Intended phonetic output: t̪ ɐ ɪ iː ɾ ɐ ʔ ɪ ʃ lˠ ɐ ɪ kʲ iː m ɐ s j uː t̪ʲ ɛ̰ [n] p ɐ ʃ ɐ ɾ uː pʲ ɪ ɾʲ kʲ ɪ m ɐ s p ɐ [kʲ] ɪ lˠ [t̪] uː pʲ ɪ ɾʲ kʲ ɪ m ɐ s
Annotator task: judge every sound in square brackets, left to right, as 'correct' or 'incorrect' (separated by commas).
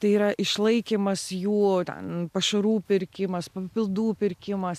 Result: correct, incorrect, incorrect